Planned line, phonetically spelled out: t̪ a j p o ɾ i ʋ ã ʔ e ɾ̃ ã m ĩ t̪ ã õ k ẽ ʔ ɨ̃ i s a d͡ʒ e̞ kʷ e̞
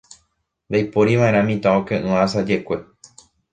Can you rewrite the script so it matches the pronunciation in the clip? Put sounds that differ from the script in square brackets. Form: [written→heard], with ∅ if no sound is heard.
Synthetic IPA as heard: [t̪→d̪] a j p o ɾ i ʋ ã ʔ e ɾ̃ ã m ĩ t̪ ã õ k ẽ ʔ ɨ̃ [i→a] s a d͡ʒ e̞ kʷ e̞